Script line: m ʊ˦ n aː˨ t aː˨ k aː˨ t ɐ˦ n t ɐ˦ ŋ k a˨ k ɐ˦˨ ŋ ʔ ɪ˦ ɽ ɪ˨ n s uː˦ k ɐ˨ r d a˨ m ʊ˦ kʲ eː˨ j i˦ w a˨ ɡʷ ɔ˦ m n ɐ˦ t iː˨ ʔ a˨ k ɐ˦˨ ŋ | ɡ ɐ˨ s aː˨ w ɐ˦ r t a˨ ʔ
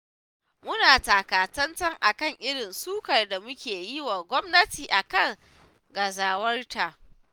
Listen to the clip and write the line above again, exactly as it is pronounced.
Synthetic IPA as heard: m ʊ˦ n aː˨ t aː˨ k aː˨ t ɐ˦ n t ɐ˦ ŋ ʔ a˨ k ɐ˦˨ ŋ ʔ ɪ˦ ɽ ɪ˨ n s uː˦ k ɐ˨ r d a˨ m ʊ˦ kʲ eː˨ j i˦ w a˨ ɡʷ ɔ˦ m n ɐ˦ t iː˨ ʔ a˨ k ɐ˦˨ ŋ | ɡ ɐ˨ z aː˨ w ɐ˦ r t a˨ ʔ